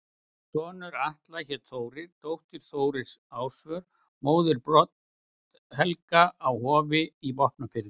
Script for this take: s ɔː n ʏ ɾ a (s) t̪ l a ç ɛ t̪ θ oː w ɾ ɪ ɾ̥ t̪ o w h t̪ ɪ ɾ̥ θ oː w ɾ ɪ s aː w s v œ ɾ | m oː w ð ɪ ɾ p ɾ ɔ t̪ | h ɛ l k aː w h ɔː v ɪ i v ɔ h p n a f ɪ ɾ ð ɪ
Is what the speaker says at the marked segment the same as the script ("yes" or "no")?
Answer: no